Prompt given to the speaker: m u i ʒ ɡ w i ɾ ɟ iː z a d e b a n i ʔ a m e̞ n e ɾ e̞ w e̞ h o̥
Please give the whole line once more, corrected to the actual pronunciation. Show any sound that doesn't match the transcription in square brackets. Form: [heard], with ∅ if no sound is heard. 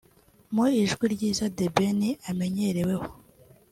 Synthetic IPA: m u i ʒ ɡ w i ɾ ɟ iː z a d e b [e] n i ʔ a m e̞ [ɲ] e ɾ e̞ w e̞ h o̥